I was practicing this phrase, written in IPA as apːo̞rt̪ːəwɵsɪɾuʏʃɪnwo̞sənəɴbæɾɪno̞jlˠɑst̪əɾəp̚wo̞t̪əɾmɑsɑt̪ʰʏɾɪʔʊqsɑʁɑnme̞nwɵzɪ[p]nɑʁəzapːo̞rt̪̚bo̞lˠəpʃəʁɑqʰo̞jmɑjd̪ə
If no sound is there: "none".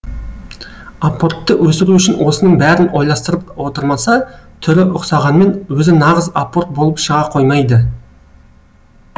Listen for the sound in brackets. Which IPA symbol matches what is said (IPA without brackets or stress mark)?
none